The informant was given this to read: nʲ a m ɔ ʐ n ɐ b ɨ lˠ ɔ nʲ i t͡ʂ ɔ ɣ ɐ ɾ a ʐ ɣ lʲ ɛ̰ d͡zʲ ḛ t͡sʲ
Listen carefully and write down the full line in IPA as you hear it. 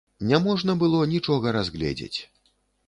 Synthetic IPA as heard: nʲ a m ɔ ʐ n ɐ b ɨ lˠ ɔ nʲ i t͡ʂ ɔ ɣ ɐ ɾ a z ɣ lʲ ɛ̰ d͡zʲ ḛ t͡sʲ